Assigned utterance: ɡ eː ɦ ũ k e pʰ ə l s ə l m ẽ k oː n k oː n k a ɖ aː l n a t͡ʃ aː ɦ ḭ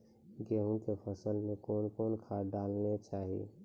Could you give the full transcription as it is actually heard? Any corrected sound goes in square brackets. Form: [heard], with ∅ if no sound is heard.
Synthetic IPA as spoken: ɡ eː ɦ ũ k e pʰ ə [∅] s ə l m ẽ k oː n k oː n [kʰ] a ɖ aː l n [e] t͡ʃ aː ɦ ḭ